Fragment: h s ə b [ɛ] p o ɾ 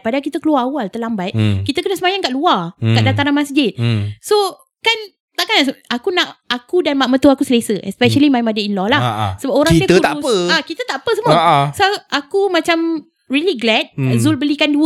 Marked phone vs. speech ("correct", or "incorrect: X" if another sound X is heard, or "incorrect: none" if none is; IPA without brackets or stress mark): incorrect: a